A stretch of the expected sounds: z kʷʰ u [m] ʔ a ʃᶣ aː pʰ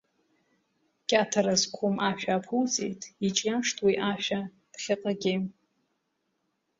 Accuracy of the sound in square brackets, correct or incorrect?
correct